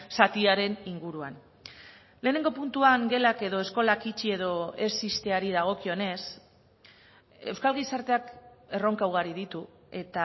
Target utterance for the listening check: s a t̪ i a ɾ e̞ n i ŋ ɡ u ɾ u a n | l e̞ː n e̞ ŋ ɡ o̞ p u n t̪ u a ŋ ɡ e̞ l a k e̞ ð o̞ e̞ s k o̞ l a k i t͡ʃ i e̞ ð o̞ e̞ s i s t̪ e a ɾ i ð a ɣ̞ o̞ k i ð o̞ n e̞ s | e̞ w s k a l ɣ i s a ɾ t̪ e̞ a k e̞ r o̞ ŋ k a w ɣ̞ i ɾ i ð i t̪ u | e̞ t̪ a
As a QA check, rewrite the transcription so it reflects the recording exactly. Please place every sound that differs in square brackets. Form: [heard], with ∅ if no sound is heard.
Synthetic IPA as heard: s a t̪ i a ɾ e̞ n i ŋ ɡ u ɾ u a n | l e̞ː n e̞ ŋ ɡ o̞ p u n t̪ u a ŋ ɡ e̞ l a k e̞ ð o̞ e̞ s k o̞ l a k i t͡ʃ i e̞ ð o̞ e̞ s i s t̪ e a ɾ i ð a ɣ̞ o̞ k i [∅] o̞ n e̞ s | e̞ w s k a l ɣ i s a ɾ t̪ e̞ a k e̞ r o̞ ŋ k a w ɣ̞ [a] ɾ i ð i t̪ u | e̞ t̪ a